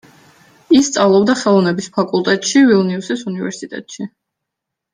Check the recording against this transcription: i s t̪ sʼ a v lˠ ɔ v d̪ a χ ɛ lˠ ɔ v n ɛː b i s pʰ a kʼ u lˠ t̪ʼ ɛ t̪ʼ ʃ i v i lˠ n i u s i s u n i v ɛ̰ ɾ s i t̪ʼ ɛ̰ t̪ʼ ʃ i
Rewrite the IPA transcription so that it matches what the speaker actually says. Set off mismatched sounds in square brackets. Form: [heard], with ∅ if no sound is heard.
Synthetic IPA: i s t̪ sʼ a v lˠ ɔ [b] d̪ a χ ɛ lˠ ɔ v n [ɛ] b i s pʰ a kʼ u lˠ t̪ʼ ɛ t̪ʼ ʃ i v i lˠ n i u s i s u n i v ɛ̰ ɾ s i t̪ʼ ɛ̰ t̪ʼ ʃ i